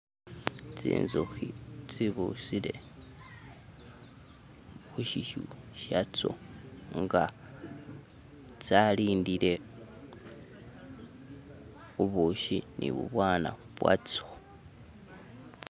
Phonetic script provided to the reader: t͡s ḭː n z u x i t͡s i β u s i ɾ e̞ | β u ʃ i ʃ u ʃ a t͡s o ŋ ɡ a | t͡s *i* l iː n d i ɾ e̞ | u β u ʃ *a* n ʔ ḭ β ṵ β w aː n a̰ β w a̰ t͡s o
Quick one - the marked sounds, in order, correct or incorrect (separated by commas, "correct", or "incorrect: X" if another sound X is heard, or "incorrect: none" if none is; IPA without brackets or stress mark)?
incorrect: a, incorrect: i